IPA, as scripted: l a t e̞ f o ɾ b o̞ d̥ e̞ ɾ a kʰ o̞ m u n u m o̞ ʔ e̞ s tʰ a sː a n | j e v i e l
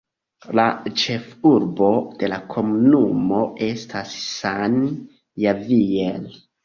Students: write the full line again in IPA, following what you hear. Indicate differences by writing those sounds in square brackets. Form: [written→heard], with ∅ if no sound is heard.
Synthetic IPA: l a [t→t͡ʃ] e̞ f [o→u] ɾ b o̞ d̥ e̞ [ɾ→l] a kʰ o̞ m u n u m o̞ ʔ e̞ s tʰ a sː a n | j [e→a] v i e l